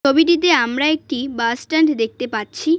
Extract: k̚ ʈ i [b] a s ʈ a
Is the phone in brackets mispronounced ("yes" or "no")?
no